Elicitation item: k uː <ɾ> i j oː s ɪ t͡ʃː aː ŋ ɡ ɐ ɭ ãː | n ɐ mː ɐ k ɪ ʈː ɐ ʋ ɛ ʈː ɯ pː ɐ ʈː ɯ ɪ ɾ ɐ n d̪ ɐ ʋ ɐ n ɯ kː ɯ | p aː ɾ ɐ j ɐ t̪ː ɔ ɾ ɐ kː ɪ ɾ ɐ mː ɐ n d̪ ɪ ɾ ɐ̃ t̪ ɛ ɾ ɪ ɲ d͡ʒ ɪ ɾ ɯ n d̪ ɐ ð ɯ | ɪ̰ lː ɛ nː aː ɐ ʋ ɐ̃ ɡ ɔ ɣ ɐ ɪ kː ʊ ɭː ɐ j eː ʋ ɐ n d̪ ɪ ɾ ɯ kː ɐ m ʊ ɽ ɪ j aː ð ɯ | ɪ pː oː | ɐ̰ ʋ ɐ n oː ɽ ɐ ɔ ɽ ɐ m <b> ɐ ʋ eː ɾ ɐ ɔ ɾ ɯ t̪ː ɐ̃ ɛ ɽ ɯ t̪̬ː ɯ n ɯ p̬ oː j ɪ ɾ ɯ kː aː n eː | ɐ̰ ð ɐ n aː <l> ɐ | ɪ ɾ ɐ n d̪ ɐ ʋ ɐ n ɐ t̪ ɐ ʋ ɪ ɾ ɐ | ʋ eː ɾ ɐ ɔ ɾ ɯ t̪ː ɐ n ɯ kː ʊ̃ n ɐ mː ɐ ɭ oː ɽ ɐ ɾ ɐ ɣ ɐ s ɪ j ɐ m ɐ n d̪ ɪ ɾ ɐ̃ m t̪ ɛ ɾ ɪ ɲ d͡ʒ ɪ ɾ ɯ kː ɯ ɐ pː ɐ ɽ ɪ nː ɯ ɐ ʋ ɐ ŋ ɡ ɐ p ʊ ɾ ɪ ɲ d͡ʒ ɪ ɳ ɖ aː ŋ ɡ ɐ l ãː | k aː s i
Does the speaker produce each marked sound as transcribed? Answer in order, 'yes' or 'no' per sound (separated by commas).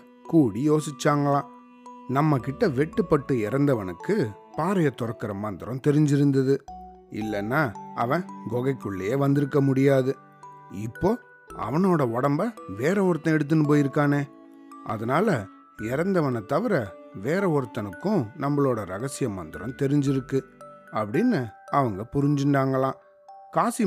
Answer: no, yes, yes